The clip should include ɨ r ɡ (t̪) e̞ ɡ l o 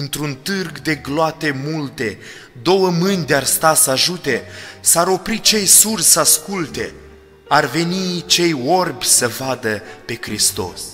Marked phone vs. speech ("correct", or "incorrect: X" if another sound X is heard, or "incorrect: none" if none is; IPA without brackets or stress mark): incorrect: d̪